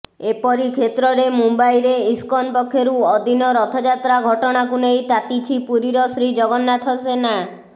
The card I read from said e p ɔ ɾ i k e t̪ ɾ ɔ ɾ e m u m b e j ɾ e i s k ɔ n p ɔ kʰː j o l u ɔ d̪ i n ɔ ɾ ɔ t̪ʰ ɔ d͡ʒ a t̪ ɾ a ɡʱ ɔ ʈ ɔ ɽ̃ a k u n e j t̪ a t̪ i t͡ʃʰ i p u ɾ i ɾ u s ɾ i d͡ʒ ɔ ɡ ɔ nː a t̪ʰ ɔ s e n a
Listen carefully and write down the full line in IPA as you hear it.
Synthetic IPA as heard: e p ɔ ɾ i kʰ e t̪ ɾ ɔ ɾ e m u m b a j ɾ e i s k ɔ n p ɔ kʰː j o ɾ u ɔ d̪ i n ɔ ɾ ɔ t̪ʰ ɔ d͡ʒ a t̪ ɾ a ɡʱ ɔ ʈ ɔ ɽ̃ a k u n e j t̪ a t̪ i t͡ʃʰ i p u ɾ i ɾ ɔ s ɾ i d͡ʒ ɔ ɡ ɔ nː a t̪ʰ ɔ s e n a

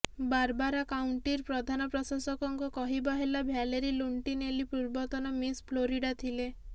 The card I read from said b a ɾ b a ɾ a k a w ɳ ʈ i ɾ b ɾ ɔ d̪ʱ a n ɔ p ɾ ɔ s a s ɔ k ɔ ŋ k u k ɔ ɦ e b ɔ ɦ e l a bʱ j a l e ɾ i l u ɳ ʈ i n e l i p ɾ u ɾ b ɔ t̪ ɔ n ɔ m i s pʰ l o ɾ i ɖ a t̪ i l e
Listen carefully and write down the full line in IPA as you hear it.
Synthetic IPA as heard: b a ɾ b a ɾ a k a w ɳ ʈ i ɾ p ɾ ɔ d̪ʱ a n ɔ p ɾ ɔ s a s ɔ k ɔ ŋ k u k ɔ ɦ i b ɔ ɦ e l a bʱ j a l e ɾ i l u ɳ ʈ i n e l i p ɾ u ɾ b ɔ t̪ ɔ n ɔ m i s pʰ l o ɾ i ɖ a t̪ʰ i l e

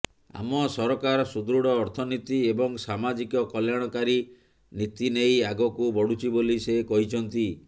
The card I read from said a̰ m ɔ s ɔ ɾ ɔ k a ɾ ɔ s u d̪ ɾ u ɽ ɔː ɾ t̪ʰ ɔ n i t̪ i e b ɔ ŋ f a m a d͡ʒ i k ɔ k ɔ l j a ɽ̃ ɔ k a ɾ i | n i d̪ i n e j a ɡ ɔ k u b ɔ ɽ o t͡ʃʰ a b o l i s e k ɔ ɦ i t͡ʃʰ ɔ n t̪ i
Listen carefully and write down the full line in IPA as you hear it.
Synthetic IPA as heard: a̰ m ɔ s ɔ ɾ ɔ k a ɾ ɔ s u d̪ ɾ u ɽ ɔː ɾ t̪ʰ ɔ n i t̪ i e b ɔ ŋ s a m a d͡ʒ i k ɔ k ɔ l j a ɽ̃ ɔ k a ɾ i | n i t̪ i n e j a ɡ ɔ k u b ɔ ɽ u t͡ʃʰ i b o l i s e k ɔ ɦ i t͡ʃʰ ɔ n t̪ i

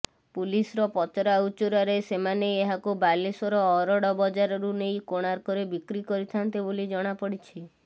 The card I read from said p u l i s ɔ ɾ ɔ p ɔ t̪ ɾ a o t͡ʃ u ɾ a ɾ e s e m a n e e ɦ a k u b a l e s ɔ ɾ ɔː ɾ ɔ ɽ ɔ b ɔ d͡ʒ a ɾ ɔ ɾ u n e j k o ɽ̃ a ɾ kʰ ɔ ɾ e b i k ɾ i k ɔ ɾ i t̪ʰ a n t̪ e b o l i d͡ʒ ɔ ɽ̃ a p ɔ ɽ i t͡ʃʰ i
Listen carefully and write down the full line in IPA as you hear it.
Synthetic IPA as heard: p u l i s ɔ ɾ ɔ p ɔ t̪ ɾ a u t͡ʃ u ɾ a ɾ e s e m a n e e ɦ a k u b a l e s ɔ ɾ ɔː ɾ ɔ ɽ ɔ b ɔ d͡ʒ a ɾ ɔ ɾ u n e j k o ɽ̃ a ɾ k ɔ ɾ e b i k ɾ i k ɔ ɾ i t̪ʰ a n t̪ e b o l i d͡ʒ ɔ ɽ̃ a p ɔ ɽ i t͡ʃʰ i

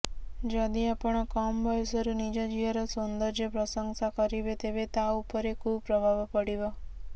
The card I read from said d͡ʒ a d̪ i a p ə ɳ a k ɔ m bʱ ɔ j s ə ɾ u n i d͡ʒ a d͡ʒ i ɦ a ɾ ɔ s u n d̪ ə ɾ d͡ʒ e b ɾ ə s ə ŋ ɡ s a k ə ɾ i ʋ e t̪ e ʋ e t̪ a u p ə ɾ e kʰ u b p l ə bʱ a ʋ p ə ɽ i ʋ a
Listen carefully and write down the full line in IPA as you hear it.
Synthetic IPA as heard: d͡ʒ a d̪ i a p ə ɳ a k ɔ m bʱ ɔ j s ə ɾ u n i d͡ʒ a d͡ʒ i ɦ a ɾ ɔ s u n d̪ ə ɾ d͡ʒ e p ɾ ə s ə ŋ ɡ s a k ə ɾ i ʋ e t̪ e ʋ e t̪ a u p ə ɾ e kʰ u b p ɾ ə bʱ a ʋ p ə ɽ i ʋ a

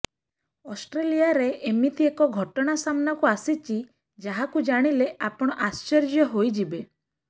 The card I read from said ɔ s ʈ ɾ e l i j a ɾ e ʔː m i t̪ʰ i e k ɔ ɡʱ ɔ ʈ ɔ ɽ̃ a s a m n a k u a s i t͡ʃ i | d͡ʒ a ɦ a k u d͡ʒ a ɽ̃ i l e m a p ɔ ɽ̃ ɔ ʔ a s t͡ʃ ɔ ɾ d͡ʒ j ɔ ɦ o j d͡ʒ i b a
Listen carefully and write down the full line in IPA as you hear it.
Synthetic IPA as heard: ɔ s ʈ ɾ e l i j a ɾ e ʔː m i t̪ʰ i e k ɔ ɡʱ ɔ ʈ ɔ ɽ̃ a s a m n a k u a s i t͡ʃ i | d͡ʒ a ɦ a k u d͡ʒ a ɽ̃ i l e a p ɔ ɽ̃ ɔ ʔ a s t͡ʃ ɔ ɾ d͡ʒ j ɔ ɦ o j d͡ʒ i b e

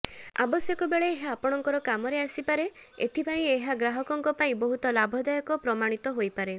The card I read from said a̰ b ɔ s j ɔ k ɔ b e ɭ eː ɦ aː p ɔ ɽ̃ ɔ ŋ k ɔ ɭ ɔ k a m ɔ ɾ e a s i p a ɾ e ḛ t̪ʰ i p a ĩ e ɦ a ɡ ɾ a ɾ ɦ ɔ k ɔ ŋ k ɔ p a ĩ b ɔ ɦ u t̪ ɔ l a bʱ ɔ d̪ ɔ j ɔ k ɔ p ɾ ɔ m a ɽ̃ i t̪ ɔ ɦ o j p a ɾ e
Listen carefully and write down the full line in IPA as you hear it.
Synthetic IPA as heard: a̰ b ɔ s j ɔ k ɔ b e ɭ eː ɦ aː p ɔ ɽ̃ ɔ ŋ k ɔ ɾ ɔ k a m ɔ ɾ e a s i p a ɾ e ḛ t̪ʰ i p a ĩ e ɦ a ɡ ɾ a ɦ ɔ k ɔ ŋ k ɔ p a ĩ b ɔ ɦ u t̪ ɔ l a bʱ ɔ d̪ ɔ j ɔ k ɔ p ɾ ɔ m a ɽ̃ i t̪ ɔ ɦ o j p a ɾ e

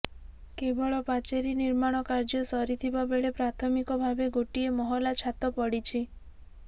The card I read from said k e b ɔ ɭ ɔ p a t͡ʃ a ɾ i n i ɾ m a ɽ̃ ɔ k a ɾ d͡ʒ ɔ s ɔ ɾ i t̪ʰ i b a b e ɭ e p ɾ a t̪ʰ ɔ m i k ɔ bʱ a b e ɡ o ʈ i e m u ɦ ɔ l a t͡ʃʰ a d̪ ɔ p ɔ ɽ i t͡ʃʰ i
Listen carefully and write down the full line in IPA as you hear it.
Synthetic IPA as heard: k e b ɔ ɭ ɔ p a t͡ʃ e ɾ i n i ɾ m a ɽ̃ ɔ k a ɾ d͡ʒ ɔ s ɔ ɾ i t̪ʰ i b a b e ɭ e p ɾ a t̪ʰ ɔ m i k ɔ bʱ a b e ɡ o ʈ i e m ɔ ɦ ɔ l a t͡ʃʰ a t̪ ɔ p ɔ ɽ i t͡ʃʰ i

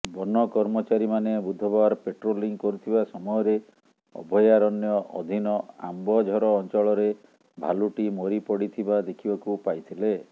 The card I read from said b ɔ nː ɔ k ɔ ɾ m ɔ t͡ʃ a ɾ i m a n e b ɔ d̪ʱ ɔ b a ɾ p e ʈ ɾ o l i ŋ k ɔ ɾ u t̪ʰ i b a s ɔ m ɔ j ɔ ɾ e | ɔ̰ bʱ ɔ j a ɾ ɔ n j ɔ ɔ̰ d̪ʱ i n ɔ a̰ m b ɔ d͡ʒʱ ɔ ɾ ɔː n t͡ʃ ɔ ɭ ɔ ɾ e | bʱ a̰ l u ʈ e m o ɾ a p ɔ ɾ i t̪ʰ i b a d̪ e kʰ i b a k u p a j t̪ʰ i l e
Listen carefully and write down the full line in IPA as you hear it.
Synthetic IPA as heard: b ɔ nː ɔ k ɔ ɾ m ɔ t͡ʃ a ɾ i m a n e b u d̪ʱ ɔ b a ɾ p e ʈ ɾ o l i ŋ k ɔ ɾ u t̪ʰ i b a s ɔ m ɔ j ɔ ɾ e | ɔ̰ bʱ ɔ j a ɾ ɔ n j ɔ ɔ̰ d̪ʱ i n ɔ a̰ m b ɔ d͡ʒʱ ɔ ɾ ɔː n t͡ʃ ɔ ɭ ɔ ɾ e | bʱ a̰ l u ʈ i m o ɾ i p ɔ ɽ i t̪ʰ i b a d̪ e kʰ i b a k u p a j t̪ʰ i l e

